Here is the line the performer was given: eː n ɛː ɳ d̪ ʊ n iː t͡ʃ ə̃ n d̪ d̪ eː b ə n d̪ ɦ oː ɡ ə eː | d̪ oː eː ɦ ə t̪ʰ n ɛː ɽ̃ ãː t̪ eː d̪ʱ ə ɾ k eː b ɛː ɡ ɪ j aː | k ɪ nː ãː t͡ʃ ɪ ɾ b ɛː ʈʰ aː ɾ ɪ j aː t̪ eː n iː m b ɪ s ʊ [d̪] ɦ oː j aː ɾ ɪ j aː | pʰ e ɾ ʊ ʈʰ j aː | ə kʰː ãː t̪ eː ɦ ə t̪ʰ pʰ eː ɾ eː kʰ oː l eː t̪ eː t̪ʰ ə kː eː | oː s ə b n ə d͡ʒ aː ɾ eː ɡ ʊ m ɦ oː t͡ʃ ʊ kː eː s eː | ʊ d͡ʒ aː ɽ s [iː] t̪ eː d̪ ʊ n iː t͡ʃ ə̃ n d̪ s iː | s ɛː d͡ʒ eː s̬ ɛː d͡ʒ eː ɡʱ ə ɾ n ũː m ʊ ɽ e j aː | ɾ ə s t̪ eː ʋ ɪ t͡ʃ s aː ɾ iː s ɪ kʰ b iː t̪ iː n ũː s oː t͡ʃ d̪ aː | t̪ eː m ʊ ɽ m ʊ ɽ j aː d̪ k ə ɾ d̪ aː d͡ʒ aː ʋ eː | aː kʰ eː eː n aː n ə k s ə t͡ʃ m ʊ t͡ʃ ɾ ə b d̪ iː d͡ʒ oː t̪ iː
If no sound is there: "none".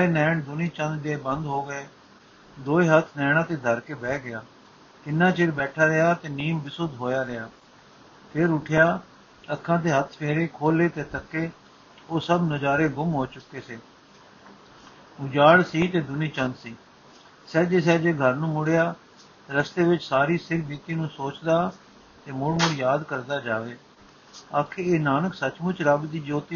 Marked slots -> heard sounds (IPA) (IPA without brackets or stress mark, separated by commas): d̪, iː